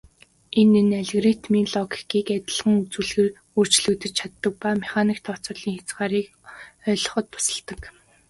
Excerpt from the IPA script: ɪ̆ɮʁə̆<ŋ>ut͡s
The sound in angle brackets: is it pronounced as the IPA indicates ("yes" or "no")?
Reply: yes